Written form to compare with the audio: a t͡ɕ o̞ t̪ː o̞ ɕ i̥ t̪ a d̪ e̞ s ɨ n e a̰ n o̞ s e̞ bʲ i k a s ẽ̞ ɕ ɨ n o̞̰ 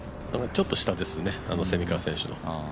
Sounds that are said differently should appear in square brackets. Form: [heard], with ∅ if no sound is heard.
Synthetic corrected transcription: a t͡ɕ o̞ t̪ː o̞ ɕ i̥ t̪ a d̪ e̞ s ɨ n e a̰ n o̞ s e̞ [mʲ] i k a s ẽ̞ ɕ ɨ n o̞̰